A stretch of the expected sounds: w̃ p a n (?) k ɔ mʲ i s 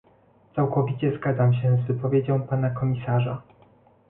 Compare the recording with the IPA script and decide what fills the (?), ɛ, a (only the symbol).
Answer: a